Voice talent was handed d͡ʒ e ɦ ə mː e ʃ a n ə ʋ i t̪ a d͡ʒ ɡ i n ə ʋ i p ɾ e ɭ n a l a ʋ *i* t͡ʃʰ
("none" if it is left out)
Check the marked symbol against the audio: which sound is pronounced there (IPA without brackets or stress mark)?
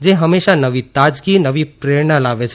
e